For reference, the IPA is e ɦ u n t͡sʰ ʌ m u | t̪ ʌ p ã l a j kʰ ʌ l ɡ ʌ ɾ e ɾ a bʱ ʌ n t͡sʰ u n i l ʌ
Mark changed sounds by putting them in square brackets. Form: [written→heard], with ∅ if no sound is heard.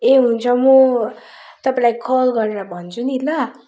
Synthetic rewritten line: e ɦ u n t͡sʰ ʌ m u | t̪ ʌ p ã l a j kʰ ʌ l ɡ ʌ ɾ e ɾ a bʱ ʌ n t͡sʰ u n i l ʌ

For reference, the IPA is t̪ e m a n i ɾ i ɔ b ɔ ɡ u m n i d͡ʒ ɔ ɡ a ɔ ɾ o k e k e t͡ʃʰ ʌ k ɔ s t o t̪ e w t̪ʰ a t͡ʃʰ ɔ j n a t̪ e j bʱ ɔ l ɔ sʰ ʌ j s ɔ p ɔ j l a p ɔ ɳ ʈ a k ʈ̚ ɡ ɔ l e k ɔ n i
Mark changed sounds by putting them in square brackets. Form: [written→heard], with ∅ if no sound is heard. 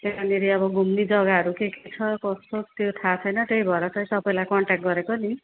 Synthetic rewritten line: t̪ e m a n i ɾ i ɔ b ɔ ɡ u m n i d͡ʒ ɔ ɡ a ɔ ɾ [o→u] k e k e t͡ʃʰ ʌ k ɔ s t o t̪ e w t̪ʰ a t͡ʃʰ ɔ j n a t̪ e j bʱ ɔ [l→ɾ] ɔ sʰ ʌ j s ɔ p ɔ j l a [p→k] ɔ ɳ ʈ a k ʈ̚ ɡ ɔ [l→ɾ] e k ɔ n i

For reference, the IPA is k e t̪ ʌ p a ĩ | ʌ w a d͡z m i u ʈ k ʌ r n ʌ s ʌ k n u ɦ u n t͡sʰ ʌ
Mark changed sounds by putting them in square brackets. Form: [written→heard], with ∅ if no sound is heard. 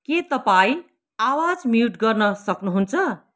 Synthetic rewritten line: k e t̪ ʌ p a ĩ | [ʌ→a] w a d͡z m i u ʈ [k→ɡ] ʌ r n ʌ s ʌ k n u ɦ u n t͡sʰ ʌ

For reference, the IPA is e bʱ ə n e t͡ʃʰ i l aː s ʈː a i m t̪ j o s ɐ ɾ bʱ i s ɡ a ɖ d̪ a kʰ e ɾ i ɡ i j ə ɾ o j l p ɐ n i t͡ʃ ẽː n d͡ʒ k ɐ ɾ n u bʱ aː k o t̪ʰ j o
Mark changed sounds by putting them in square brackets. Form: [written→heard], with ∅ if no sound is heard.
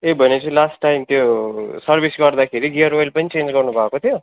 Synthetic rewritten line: e bʱ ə n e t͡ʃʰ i l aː s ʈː a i m t̪ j o s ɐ ɾ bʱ i s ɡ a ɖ d̪ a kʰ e ɾ i ɡ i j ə ɾ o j l p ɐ n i t͡ʃ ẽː n d͡ʒ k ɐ ɾ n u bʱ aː k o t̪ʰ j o

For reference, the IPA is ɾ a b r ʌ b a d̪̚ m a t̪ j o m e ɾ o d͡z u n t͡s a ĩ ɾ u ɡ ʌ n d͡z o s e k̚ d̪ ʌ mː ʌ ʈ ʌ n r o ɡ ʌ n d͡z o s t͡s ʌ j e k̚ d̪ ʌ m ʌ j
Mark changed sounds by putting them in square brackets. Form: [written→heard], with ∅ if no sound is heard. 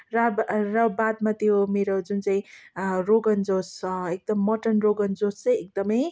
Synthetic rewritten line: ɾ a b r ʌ b a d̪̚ m a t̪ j o m e ɾ o d͡z u n t͡s a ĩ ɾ [u→o] ɡ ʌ n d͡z o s e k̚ d̪ ʌ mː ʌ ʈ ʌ n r o ɡ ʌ n d͡z o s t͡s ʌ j e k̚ d̪ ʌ m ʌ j

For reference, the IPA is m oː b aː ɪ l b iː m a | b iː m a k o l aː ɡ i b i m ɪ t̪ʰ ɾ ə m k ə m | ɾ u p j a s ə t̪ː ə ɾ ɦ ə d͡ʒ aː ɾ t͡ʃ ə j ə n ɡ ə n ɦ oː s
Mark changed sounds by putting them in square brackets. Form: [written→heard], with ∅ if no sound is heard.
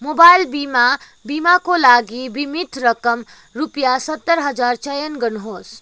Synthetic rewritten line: m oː b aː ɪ l b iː m a | b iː m a k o l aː ɡ i b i m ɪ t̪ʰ ɾ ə [m→∅] k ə m | ɾ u p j a s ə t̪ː ə ɾ ɦ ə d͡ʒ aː ɾ t͡ʃ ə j ə n ɡ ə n ɦ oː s

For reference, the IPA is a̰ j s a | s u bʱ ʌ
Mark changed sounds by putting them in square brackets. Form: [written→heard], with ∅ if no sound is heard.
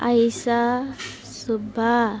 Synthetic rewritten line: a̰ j s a | s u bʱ [ʌ→a]

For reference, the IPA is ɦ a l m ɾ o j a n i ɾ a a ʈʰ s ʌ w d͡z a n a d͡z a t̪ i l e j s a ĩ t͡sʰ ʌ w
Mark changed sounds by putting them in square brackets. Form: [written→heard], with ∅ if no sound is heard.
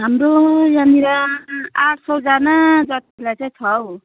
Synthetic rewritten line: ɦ a [l→∅] m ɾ o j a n i ɾ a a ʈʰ s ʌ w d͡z a n a d͡z [a→ʌ] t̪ i l [e→a] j [s→t͡s] a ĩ t͡sʰ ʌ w

